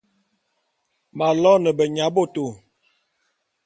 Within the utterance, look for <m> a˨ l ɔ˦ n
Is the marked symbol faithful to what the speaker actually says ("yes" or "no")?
yes